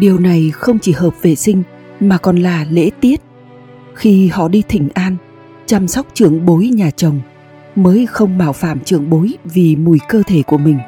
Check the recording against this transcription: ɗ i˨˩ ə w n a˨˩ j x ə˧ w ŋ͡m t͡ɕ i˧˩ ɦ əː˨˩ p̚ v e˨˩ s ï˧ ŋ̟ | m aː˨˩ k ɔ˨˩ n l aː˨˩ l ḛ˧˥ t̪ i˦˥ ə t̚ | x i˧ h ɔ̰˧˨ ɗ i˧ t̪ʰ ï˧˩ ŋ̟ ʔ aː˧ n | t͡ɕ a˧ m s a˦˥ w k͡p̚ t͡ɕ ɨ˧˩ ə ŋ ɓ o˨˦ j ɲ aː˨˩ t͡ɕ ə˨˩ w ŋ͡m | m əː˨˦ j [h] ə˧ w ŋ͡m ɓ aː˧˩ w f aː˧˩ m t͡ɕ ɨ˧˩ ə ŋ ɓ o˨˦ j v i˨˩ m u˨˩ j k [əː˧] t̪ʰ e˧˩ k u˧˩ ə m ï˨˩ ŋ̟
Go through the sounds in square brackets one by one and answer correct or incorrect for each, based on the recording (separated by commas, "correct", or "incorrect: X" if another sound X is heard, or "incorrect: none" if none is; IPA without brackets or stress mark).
incorrect: x, correct